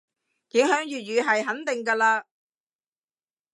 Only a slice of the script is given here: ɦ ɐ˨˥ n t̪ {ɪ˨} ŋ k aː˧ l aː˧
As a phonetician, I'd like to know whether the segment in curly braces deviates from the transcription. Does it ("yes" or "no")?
no